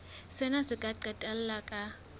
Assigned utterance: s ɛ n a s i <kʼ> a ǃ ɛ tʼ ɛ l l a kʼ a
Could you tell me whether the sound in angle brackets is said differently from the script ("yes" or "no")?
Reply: no